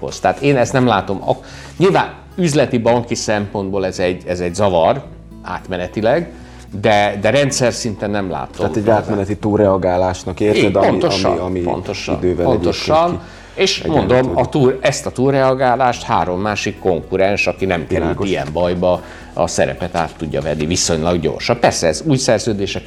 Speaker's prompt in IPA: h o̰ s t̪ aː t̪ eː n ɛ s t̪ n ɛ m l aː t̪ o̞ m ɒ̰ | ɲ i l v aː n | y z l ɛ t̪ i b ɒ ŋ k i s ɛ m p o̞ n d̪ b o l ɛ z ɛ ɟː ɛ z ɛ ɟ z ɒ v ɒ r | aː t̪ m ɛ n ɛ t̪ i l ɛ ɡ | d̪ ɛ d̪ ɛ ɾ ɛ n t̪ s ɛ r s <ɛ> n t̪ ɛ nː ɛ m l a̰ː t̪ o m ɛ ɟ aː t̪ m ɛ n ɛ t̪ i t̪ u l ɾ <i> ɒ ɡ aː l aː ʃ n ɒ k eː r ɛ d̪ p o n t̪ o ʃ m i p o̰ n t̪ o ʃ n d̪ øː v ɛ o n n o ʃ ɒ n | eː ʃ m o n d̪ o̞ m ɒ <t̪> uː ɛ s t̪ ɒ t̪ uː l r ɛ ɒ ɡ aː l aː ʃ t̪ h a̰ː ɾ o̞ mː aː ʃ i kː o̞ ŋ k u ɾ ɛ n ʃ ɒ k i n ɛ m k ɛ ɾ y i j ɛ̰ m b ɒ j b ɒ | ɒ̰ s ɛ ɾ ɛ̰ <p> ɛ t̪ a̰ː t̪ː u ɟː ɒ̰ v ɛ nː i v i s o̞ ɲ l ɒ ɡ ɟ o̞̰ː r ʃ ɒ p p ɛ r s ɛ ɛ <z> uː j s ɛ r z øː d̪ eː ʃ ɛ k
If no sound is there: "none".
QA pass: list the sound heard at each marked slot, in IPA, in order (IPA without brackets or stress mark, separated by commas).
i, ɛ, t̪, p, z